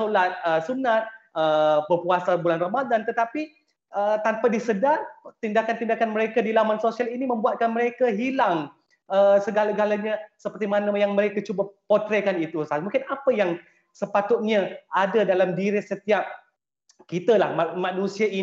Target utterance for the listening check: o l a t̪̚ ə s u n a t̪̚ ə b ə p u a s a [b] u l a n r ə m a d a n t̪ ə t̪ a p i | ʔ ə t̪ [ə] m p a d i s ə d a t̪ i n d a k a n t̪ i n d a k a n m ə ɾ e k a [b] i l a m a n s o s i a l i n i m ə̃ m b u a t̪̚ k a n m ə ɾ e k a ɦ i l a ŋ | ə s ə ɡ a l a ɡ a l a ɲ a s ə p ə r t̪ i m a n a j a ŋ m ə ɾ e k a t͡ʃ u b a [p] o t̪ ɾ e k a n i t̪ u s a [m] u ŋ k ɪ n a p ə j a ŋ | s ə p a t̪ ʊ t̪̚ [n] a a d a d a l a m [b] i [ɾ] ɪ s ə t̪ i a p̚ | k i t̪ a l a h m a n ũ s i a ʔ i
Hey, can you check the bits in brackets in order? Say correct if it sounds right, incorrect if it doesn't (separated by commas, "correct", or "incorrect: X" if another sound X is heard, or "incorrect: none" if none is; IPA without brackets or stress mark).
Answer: correct, incorrect: a, incorrect: d, correct, correct, incorrect: ɲ, incorrect: d, correct